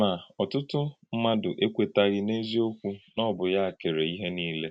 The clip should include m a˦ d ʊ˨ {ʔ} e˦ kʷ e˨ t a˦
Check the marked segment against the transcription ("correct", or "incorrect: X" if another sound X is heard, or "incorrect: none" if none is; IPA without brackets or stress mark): correct